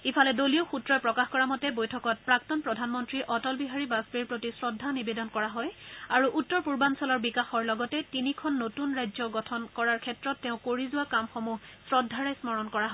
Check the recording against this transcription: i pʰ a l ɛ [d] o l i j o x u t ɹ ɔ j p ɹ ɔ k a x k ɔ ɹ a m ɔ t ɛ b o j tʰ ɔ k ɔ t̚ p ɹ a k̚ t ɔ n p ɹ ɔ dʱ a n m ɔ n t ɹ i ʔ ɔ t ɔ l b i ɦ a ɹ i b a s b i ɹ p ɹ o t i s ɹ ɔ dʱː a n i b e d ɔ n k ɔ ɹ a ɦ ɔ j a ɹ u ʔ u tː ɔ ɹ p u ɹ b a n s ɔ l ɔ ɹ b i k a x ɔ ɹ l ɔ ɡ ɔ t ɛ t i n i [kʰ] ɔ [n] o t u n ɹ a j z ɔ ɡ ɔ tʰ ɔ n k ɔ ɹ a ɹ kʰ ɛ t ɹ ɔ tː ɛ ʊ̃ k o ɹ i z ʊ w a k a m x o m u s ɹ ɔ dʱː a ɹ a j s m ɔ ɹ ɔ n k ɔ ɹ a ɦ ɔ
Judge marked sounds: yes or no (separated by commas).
yes, yes, no